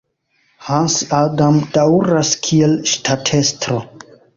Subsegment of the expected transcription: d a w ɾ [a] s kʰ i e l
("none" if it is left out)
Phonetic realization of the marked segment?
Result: a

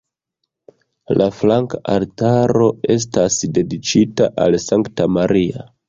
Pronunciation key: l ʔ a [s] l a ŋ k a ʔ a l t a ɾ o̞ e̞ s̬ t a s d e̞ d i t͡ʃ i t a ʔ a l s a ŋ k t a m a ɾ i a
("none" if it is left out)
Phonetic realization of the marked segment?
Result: f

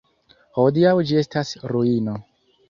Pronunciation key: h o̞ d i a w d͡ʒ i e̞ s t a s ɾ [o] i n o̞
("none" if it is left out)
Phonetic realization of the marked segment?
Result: u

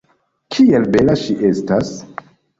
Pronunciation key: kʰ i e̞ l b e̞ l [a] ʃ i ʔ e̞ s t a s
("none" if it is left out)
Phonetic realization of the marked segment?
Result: a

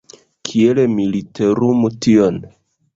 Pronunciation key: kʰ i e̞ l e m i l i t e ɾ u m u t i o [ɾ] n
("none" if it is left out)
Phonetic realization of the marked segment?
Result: none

